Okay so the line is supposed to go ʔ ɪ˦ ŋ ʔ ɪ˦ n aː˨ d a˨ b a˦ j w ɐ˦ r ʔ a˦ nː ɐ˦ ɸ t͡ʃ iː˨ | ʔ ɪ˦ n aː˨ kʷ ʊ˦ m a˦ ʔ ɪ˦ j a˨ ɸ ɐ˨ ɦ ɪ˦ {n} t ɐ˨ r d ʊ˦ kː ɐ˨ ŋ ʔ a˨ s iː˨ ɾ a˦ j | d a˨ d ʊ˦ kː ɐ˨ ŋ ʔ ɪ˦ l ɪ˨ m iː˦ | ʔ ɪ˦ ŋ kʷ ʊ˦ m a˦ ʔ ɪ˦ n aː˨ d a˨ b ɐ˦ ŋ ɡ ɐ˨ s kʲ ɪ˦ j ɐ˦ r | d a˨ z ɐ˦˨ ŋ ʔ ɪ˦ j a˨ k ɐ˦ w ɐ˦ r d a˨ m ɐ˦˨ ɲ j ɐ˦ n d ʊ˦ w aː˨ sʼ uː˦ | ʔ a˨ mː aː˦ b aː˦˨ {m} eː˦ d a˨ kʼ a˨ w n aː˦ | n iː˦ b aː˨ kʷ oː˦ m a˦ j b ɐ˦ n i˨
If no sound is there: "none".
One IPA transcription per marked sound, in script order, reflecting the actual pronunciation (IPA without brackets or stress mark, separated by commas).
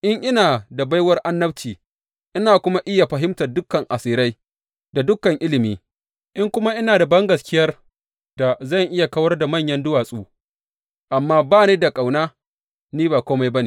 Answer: m, n